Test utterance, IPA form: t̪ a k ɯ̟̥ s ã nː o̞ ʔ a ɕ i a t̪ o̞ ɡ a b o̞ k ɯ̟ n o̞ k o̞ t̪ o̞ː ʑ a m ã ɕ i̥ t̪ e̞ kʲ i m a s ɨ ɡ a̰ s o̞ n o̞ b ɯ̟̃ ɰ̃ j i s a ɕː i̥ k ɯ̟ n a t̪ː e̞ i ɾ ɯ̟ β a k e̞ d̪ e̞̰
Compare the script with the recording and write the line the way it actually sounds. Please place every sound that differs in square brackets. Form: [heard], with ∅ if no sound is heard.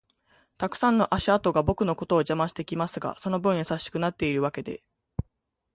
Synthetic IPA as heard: t̪ a k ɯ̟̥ s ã nː o̞ ʔ a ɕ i a t̪ o̞ ɡ a b o̞ k ɯ̟ n o̞ k o̞ t̪ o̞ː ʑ a m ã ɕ i̥ t̪ e̞ kʲ i m a s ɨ ɡ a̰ s o̞ n o̞ b ɯ̟̃ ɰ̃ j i s a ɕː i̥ k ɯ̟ n a t̪ː e̞ i ɾ ɯ̟ β a k e̞ d̪ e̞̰